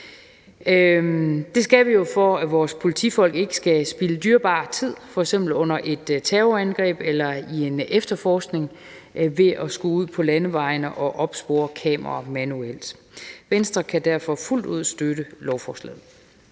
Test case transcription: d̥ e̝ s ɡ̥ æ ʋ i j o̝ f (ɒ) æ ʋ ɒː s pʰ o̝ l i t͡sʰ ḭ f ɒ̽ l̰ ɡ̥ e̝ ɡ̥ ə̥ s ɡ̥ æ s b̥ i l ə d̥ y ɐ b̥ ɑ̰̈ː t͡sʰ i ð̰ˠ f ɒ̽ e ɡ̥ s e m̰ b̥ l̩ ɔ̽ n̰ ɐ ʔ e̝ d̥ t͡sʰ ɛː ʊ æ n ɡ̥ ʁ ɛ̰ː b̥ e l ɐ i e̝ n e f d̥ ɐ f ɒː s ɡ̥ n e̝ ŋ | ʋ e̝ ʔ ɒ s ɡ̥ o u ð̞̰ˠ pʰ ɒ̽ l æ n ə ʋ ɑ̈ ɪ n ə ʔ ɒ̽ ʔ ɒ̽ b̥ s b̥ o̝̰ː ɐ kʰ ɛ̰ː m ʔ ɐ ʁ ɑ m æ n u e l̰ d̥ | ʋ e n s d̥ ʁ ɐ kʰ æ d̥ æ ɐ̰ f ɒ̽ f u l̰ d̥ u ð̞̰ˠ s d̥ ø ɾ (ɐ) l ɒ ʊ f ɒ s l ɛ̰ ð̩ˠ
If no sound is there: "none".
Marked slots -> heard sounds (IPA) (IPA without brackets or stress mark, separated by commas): ɒ, ə